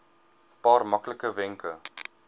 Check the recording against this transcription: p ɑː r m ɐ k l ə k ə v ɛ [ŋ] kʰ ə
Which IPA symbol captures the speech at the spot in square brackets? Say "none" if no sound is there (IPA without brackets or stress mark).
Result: ŋ